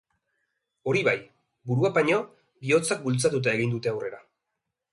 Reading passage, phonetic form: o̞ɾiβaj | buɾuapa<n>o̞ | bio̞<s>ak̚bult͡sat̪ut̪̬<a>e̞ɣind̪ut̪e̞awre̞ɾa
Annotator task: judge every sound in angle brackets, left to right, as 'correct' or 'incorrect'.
incorrect: ɲ, incorrect: t͡s, correct

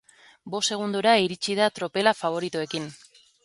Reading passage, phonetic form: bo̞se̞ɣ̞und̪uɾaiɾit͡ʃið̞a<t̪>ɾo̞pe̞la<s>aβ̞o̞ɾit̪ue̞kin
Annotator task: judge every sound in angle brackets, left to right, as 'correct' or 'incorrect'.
correct, incorrect: f

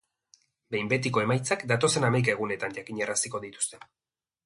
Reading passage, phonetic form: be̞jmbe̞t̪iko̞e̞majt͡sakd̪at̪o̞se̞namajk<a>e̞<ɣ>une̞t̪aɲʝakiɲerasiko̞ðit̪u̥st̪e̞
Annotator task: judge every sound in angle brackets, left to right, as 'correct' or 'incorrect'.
correct, correct

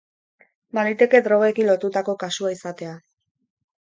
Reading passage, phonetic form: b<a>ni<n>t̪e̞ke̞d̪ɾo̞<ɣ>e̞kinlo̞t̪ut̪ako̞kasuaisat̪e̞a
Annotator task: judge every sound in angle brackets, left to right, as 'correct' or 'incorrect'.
correct, incorrect: none, correct

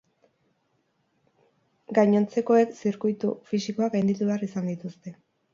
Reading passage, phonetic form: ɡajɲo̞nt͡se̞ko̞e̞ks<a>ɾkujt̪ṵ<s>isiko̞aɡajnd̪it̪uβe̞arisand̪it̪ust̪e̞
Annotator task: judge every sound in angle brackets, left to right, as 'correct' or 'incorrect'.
incorrect: i, incorrect: f

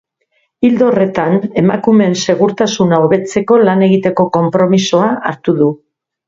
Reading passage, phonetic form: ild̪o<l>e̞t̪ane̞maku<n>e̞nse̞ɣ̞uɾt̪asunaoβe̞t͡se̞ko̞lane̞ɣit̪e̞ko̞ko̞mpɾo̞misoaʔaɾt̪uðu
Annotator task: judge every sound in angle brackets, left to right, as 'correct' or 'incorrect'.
incorrect: r, incorrect: m

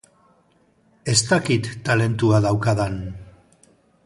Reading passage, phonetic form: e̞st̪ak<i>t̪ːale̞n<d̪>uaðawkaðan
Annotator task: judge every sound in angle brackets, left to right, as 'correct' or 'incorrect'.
correct, incorrect: t̪

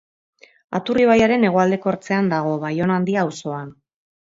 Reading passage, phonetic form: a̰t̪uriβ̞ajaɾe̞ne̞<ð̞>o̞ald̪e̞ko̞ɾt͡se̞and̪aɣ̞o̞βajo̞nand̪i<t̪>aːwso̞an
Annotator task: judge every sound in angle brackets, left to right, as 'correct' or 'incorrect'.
incorrect: ɣ̞, incorrect: none

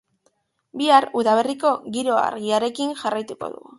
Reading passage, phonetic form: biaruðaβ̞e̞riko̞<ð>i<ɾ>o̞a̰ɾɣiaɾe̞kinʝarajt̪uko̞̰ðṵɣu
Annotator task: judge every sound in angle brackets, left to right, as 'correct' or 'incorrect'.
incorrect: ɣ, correct

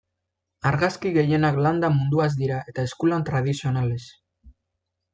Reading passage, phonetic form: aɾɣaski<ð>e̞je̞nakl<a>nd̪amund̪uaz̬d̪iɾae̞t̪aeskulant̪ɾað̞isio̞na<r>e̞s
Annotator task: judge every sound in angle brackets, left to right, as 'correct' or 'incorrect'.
incorrect: ɣ, correct, incorrect: l

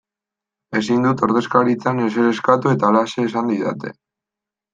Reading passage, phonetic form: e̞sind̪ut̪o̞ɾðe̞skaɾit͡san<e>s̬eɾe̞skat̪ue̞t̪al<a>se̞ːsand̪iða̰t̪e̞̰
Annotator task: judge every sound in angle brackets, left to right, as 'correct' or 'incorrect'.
correct, correct

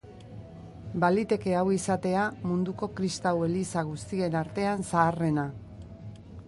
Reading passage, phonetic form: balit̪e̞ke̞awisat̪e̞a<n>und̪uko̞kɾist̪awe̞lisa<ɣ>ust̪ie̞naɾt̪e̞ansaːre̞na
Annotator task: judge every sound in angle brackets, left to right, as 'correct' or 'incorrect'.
incorrect: m, correct

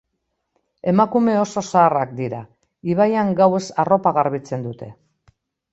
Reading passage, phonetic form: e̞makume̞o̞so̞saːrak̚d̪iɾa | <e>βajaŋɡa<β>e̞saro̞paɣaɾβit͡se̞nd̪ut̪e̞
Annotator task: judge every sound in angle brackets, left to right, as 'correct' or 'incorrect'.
incorrect: i, incorrect: w

